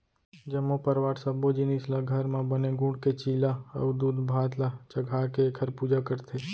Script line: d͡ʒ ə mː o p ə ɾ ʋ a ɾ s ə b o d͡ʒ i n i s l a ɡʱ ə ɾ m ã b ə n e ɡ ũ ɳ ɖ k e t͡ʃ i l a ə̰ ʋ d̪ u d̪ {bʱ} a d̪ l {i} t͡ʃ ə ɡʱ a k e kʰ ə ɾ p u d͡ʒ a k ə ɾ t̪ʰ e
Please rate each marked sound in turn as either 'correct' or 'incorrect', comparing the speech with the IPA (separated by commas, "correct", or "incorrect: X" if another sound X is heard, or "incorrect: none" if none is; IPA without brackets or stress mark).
correct, incorrect: a